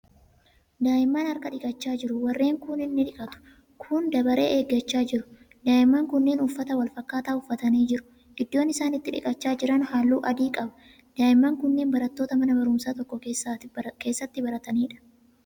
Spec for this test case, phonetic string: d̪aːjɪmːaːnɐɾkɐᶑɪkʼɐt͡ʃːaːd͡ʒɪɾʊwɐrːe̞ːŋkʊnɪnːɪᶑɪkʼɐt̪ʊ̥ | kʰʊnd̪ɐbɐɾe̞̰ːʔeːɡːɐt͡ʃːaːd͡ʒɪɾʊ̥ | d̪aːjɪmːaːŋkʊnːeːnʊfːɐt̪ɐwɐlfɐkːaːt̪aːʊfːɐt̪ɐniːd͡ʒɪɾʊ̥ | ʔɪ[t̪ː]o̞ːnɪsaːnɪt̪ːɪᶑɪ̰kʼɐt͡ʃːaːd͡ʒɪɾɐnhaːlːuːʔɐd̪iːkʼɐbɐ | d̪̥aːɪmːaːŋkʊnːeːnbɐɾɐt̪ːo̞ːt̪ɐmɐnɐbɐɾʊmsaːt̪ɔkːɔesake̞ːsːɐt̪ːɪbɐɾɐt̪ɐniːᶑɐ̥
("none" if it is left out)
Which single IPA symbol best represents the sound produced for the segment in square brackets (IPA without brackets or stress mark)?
d̪ː